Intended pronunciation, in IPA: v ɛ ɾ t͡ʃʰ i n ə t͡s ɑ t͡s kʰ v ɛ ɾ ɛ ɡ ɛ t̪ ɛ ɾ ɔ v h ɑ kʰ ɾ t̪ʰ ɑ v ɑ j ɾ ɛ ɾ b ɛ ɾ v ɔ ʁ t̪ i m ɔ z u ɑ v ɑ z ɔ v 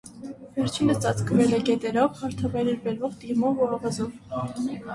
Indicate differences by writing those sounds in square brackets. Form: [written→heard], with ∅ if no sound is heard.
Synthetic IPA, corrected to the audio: v ɛ ɾ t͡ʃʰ i n ə t͡s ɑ t͡s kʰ v ɛ [ɾ→l] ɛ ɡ ɛ t̪ ɛ ɾ ɔ v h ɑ [kʰ→∅] ɾ t̪ʰ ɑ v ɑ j ɾ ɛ ɾ b ɛ ɾ v ɔ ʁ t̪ i m ɔ [z→v] u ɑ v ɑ z ɔ v

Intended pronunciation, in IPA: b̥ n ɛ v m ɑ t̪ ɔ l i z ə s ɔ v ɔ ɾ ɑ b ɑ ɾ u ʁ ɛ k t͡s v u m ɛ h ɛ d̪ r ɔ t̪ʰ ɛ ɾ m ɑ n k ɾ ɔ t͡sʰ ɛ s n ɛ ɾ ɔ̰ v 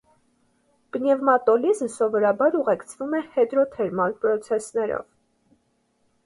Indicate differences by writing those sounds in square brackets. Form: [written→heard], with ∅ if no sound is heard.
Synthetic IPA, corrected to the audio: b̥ n ɛ v m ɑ t̪ ɔ l i z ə s ɔ v ɔ ɾ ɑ b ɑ ɾ u ʁ ɛ k [t͡s→t͡sʰ] v u m ɛ h ɛ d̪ [r→ɾ] ɔ t̪ʰ ɛ ɾ m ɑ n [k→p] ɾ ɔ t͡sʰ ɛ s n ɛ ɾ ɔ̰ v

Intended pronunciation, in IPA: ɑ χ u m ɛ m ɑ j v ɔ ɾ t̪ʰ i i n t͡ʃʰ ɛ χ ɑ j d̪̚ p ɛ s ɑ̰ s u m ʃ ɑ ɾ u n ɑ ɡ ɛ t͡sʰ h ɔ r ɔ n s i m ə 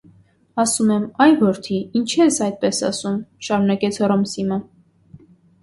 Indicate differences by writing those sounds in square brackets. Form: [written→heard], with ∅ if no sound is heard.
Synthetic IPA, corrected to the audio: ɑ [χ→s] u m ɛ m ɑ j v ɔ ɾ t̪ʰ i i n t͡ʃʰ ɛ [χ→s] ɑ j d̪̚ p ɛ s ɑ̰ s u m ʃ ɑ ɾ u n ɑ [ɡ→k] ɛ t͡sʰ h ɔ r ɔ [n→m] s i m ə

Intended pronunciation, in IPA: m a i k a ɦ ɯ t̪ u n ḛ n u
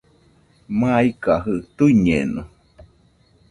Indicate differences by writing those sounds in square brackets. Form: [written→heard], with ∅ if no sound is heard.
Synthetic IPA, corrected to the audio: m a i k a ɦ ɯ t̪ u [n→ɲ] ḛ n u

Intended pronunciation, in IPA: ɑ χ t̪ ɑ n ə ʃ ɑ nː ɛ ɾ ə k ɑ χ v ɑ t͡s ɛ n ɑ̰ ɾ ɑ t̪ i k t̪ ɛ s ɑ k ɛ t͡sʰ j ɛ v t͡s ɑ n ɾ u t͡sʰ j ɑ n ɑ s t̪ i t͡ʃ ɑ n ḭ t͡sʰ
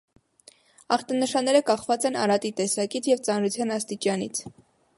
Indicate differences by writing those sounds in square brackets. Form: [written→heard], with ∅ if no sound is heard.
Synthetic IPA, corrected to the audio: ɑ χ t̪ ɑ n ə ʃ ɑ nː ɛ ɾ ə k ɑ χ v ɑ t͡s ɛ n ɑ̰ ɾ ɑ t̪ i [k→∅] t̪ ɛ s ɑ k [ɛ→i] t͡sʰ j ɛ v t͡s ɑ n ɾ u t͡sʰ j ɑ n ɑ s t̪ i t͡ʃ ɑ n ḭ t͡sʰ

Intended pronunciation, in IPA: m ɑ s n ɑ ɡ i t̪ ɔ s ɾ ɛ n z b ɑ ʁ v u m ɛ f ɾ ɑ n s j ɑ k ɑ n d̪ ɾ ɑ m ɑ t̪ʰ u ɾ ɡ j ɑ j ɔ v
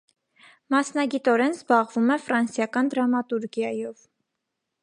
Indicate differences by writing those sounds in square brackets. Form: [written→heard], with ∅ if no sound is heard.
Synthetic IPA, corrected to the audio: m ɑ s n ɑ ɡ i t̪ ɔ [s→∅] ɾ ɛ n z b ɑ ʁ v u m ɛ f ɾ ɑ n s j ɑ k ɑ n d̪ ɾ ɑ m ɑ [t̪ʰ→t̪] u ɾ ɡ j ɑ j ɔ v

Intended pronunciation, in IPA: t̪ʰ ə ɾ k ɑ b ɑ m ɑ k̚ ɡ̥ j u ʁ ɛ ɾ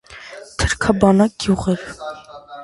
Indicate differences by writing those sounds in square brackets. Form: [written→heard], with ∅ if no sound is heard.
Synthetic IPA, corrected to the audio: t̪ʰ ə ɾ [k→kʰ] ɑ b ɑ [m→n] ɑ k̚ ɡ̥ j u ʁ ɛ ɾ

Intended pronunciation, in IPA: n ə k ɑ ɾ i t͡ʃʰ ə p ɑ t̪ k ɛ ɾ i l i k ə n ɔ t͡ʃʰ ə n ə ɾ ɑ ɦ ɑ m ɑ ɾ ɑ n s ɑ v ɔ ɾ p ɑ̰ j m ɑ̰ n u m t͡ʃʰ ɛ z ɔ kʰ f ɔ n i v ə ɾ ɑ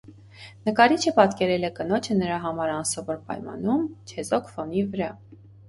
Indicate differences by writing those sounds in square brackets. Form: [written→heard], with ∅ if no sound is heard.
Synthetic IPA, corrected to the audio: n ə k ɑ ɾ i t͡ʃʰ ə p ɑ t̪ k ɛ ɾ [i→ɛ] l [i→ɛ] k ə n ɔ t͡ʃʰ ə n ə ɾ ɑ ɦ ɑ m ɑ ɾ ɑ n s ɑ v ɔ ɾ p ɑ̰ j m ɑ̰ n u m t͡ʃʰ ɛ z ɔ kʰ f ɔ n i v ə ɾ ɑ

